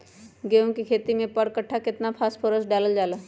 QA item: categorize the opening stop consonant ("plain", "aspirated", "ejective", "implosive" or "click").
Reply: plain